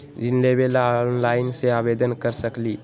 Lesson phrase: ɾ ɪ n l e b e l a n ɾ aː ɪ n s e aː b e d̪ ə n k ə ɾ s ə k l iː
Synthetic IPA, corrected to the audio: ɾ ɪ n l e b e l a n l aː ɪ n s e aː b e d̪ ə n k ə ɾ s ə k l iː

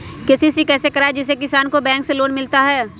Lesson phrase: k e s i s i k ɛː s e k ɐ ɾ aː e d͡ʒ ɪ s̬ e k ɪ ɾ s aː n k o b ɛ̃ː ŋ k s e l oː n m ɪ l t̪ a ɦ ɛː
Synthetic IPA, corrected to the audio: k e s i s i k ɛː s e k ɐ ɾ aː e d͡ʒ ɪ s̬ e k ɪ s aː n k o b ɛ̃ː ŋ k s e l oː n m ɪ l t̪ a ɦ ɛː

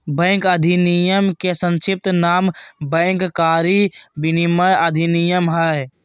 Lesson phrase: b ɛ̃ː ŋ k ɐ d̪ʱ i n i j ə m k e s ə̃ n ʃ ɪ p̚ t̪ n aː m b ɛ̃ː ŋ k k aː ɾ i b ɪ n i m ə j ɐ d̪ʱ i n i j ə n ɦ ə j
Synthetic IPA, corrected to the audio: b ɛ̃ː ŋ k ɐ d̪ʱ i n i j ə m k e s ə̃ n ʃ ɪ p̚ t̪ n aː m b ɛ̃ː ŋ k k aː ɾ i b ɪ n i m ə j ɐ d̪ʱ i n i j ə m ɦ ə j

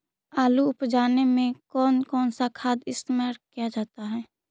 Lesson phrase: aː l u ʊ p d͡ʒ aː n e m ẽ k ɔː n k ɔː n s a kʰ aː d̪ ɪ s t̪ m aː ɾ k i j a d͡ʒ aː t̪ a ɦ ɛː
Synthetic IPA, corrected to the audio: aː l u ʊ p d͡ʒ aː n e m ẽ k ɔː n k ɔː n s a kʰ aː d̪ ɪ s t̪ m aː ɾ k i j a d͡ʒ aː t̪ a ɦ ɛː

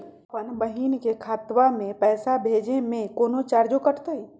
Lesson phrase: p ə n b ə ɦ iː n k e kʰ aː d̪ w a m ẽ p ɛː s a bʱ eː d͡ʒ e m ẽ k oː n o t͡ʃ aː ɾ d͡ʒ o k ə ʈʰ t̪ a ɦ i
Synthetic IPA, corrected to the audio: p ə n b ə ɦ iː n k e kʰ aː t̪ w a m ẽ p ɛː s a bʱ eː d͡ʒ e m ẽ k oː n o t͡ʃ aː ɾ d͡ʒ o k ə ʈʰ t̪ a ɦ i

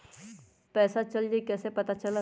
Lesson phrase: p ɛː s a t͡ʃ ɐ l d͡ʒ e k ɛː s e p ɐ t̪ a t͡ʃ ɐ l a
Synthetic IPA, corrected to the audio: p ɛː s a t͡ʃ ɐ l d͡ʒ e k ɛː s e p ɐ t̪ a t͡ʃ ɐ l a

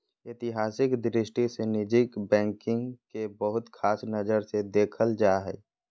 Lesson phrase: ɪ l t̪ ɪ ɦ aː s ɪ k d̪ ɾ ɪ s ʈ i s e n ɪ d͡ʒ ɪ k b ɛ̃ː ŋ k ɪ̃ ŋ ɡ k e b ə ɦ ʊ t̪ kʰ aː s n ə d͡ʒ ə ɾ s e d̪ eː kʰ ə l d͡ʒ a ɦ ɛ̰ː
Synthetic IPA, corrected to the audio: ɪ t̪ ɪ ɦ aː s ɪ k d̪ ɾ ɪ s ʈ i s e n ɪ d͡ʒ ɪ k b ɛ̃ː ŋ k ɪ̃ ŋ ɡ k e b ə ɦ ʊ t̪ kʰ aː s n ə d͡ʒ ə ɾ s e d̪ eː kʰ ə l d͡ʒ a ɦ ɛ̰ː

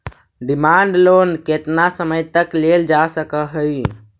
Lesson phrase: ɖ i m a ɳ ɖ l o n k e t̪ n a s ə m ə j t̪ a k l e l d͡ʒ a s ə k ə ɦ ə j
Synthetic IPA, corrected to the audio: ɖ i m a ɳ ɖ l o n k e t̪ n a s ə m ə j t̪ ə k l e l d͡ʒ a s ə k ə ɦ ə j

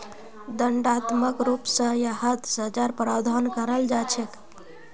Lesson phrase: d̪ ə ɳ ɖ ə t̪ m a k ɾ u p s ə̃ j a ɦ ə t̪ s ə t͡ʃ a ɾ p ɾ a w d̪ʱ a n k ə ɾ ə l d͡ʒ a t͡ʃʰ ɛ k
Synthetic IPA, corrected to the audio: d̪ ə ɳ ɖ a t̪ m ə k ɾ u p s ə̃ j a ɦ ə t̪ s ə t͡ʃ a ɾ p ɾ a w d̪ʱ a n k ə ɾ ə l d͡ʒ a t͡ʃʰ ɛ k

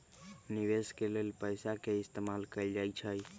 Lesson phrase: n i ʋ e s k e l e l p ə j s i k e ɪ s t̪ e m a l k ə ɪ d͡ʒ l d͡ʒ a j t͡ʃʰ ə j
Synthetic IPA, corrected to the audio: n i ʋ e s k e l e l p ə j s a k e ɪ s t̪ e m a l k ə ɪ l d͡ʒ a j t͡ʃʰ ə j

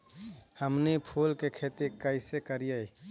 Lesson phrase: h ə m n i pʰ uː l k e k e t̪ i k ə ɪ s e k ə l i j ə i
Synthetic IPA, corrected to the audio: h ə m n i pʰ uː l k e kʰ e t̪ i k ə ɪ s e k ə ɾ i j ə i

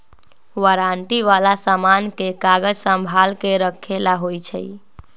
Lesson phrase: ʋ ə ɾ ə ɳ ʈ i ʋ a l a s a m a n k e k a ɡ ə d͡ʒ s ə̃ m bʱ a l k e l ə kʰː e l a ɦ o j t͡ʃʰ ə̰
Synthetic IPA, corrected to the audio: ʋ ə ɾ a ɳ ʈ i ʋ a l a s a m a n k e k a ɡ ə d͡ʒ s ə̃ m bʱ a l k e ɾ ə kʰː e l a ɦ o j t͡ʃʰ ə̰

